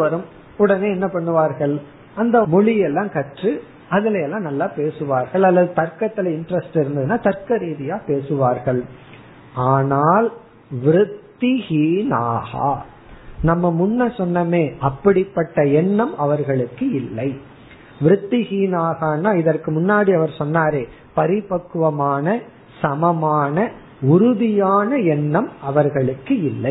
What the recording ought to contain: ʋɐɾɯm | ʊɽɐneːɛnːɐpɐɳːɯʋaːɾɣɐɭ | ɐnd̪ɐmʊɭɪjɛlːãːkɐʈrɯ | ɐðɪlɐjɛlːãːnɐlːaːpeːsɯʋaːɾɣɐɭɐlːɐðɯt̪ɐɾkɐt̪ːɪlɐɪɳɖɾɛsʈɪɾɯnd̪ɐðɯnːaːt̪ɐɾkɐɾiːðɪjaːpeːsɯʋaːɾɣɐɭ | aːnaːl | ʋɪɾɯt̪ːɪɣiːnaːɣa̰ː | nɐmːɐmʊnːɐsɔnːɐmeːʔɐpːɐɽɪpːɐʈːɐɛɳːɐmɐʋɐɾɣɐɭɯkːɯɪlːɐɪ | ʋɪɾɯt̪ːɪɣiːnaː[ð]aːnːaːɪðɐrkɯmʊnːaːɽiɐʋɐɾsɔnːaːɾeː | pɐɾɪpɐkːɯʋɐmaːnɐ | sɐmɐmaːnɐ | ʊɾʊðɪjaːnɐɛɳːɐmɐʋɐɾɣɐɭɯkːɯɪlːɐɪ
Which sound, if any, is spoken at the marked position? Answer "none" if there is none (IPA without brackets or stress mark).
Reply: ɣ